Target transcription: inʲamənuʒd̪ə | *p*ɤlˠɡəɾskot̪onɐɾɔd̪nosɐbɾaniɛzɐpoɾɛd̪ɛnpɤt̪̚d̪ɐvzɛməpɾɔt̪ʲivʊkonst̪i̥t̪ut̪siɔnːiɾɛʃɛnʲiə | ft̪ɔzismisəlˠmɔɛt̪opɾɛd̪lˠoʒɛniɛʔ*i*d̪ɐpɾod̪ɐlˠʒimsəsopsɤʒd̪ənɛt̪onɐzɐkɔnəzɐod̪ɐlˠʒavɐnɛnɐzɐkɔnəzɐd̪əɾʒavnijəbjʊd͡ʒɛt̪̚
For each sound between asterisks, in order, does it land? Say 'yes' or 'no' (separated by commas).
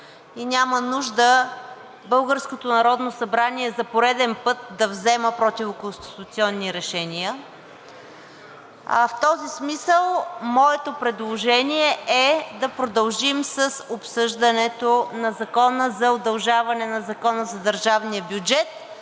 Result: no, no